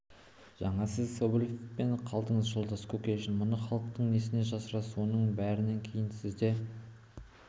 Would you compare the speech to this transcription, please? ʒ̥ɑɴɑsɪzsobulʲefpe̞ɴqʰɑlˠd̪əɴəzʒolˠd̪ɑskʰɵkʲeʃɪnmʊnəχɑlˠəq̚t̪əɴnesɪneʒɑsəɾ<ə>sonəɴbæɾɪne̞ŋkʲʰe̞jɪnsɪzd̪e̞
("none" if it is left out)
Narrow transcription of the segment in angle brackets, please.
ɑ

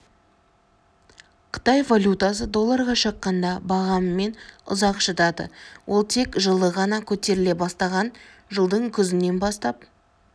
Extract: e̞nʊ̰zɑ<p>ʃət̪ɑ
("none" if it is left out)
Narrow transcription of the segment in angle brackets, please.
q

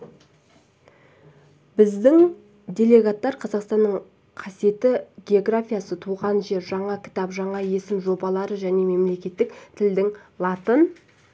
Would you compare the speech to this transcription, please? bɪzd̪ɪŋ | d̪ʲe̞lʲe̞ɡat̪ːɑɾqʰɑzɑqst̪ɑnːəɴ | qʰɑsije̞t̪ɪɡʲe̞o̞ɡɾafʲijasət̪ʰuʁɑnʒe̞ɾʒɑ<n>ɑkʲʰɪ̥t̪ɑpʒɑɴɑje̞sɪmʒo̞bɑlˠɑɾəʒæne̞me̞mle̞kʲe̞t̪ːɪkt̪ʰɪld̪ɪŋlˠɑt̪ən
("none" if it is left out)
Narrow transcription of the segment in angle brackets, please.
ɴ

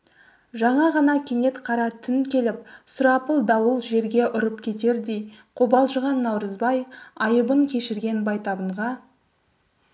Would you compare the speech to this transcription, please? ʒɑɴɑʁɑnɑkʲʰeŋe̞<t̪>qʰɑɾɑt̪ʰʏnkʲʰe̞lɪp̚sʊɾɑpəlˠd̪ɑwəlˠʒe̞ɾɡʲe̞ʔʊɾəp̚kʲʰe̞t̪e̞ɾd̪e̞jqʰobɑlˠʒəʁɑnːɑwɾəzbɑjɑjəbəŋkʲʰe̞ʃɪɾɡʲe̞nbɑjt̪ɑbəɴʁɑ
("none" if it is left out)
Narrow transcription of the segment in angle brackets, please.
t̪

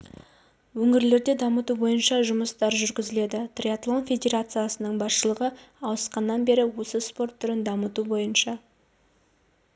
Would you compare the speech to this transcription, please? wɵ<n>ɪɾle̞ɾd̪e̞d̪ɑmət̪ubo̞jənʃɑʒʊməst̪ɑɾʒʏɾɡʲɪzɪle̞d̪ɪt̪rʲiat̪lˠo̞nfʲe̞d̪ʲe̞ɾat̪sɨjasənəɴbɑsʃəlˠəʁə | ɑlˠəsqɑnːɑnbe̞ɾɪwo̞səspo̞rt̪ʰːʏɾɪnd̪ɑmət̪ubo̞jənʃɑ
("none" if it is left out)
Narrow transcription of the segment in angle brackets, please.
ŋ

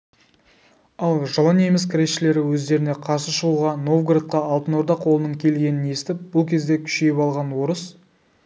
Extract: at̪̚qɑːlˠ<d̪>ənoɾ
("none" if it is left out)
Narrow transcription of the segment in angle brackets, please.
t̪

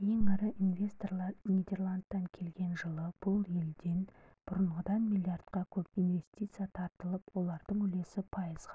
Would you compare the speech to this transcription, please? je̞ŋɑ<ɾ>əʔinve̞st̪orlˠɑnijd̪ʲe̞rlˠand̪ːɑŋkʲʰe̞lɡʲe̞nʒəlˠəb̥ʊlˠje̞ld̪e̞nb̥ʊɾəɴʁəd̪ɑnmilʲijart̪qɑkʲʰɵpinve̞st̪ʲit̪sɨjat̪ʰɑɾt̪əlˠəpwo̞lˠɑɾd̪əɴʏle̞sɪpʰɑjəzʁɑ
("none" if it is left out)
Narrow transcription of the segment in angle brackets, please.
ɾ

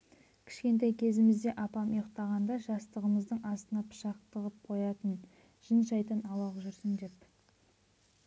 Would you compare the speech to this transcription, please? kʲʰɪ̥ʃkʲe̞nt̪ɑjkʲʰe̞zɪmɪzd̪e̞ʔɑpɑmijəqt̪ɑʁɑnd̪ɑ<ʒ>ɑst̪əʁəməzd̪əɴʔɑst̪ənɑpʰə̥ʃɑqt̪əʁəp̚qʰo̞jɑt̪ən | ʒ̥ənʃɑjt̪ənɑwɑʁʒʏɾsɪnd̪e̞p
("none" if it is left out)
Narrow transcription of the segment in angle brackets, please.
ʒ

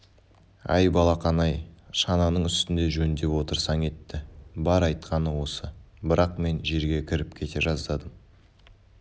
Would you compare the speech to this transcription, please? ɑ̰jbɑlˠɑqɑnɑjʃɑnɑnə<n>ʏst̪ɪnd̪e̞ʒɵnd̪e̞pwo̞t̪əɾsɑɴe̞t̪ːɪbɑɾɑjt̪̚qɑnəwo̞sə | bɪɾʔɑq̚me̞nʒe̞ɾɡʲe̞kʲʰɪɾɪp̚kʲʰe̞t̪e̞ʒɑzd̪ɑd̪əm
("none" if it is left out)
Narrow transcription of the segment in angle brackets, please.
ɴ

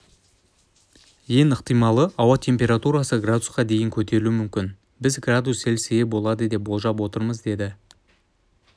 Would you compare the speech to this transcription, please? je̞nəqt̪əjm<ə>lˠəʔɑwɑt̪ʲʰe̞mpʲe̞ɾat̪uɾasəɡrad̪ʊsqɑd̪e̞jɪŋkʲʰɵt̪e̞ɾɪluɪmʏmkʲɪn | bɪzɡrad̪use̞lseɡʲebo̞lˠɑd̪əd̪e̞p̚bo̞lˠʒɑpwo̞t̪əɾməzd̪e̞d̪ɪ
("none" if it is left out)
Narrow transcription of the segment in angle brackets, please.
ɑ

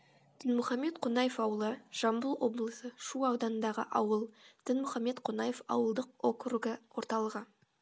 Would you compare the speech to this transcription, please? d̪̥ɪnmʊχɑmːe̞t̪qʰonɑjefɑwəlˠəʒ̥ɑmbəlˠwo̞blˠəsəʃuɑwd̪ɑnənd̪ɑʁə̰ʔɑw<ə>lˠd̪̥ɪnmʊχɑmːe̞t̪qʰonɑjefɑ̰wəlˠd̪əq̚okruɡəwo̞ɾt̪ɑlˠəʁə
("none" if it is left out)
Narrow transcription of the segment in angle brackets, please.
ə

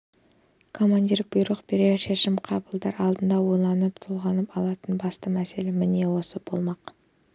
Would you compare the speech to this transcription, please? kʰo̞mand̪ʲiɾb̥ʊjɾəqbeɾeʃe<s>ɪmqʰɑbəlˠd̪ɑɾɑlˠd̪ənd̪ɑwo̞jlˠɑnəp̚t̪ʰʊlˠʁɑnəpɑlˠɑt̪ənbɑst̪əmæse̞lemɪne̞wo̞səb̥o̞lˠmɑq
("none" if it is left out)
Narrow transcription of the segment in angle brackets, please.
ʃ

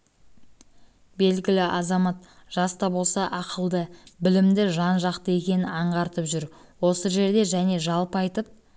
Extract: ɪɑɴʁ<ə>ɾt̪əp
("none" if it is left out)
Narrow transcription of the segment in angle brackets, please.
ɑ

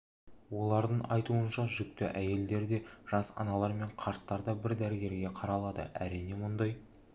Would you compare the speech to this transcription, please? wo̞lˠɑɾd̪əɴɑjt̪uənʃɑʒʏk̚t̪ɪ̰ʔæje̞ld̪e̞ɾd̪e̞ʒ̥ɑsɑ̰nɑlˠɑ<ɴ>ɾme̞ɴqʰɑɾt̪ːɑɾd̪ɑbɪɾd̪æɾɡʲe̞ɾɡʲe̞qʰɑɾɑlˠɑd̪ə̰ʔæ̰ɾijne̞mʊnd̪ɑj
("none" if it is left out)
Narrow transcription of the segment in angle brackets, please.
none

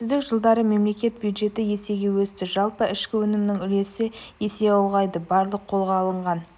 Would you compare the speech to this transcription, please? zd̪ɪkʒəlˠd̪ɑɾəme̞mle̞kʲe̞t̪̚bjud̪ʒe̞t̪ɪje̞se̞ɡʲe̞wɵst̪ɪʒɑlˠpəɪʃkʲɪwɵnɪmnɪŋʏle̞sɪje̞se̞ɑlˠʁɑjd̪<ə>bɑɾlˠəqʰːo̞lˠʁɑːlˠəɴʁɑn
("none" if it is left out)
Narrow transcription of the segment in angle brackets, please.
ə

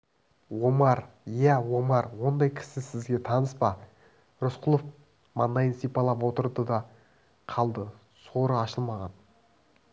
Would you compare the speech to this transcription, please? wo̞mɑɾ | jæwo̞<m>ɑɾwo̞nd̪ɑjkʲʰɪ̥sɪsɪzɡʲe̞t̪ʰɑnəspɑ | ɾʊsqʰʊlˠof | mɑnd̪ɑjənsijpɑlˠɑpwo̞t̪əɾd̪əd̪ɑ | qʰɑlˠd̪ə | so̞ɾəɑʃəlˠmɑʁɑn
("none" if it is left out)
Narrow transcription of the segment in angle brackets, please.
m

